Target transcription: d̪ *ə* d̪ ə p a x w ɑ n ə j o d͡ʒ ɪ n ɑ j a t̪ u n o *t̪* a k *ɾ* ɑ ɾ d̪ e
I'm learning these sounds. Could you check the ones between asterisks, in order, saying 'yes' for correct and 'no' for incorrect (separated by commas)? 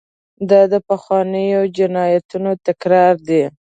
no, yes, yes